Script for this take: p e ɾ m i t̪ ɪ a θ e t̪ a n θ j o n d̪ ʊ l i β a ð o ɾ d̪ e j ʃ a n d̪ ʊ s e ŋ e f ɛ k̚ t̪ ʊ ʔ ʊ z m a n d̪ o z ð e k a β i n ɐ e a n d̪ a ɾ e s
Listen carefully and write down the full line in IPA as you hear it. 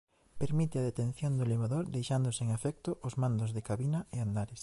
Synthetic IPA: p e ɾ m i t̪ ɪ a ð e t̪ e n θ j o n d̪ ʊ l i β a ð o ɾ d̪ e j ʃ a n d̪ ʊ s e ŋ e f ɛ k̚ t̪ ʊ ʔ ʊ z m a n d̪ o z ð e k a β i n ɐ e a n d̪ a ɾ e s